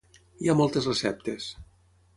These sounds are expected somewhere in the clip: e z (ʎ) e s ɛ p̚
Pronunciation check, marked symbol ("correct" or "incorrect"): incorrect